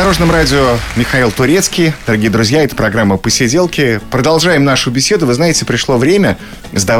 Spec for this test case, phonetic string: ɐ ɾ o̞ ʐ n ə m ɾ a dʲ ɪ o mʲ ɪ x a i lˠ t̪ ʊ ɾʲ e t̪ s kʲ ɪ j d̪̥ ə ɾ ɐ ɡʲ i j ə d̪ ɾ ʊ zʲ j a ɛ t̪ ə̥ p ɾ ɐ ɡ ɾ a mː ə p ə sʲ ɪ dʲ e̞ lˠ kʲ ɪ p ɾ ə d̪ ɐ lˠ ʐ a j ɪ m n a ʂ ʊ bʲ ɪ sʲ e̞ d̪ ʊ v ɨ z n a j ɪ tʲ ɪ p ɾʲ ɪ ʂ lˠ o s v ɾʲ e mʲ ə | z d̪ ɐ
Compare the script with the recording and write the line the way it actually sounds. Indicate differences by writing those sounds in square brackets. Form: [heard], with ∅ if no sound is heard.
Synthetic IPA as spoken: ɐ ɾ o̞ ʐ n ə m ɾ a dʲ ɪ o mʲ ɪ x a i lˠ t̪ ʊ ɾʲ e t̪ s kʲ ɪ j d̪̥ ə ɾ ɐ ɡʲ i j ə d̪ ɾ ʊ zʲ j a ɛ t̪ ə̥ p ɾ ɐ ɡ ɾ a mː ə p ə sʲ ɪ dʲ e̞ lˠ kʲ ɪ p ɾ ə d̪ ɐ lˠ ʐ a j ɪ m n a ʂ ʊ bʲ ɪ sʲ e̞ d̪ ʊ v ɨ z n a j ɪ tʲ ɪ p ɾʲ ɪ ʂ lˠ o [∅] v ɾʲ e mʲ ə | z d̪ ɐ